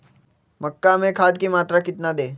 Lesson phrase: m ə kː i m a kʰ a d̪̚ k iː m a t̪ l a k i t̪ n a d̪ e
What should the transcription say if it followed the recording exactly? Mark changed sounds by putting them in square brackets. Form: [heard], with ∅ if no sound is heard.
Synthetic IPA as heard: m ə kː [a] m [e] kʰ a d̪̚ k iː m a t̪ [ɾ] a k i t̪ n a d̪ e